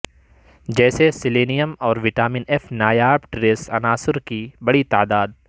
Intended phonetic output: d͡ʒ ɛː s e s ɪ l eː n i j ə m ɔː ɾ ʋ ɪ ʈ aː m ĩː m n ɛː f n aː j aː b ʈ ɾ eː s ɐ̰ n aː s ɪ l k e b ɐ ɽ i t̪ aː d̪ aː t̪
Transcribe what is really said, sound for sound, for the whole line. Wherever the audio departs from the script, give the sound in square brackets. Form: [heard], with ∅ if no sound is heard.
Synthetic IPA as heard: d͡ʒ ɛː s e s ɪ l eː n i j ə m ɔː ɾ ʋ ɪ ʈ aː m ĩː [∅] n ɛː f n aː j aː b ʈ ɾ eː s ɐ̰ n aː s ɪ [ɾ] k [i] b ɐ ɽ i t̪ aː d̪ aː [d̪]